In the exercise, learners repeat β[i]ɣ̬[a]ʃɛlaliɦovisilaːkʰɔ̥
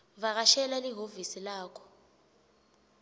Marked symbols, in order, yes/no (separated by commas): no, yes